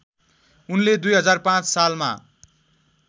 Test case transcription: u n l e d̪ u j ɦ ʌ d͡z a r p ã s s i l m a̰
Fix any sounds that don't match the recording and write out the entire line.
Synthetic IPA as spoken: u n l e d̪ u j ɦ ʌ d͡z a r p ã t͡s s a l m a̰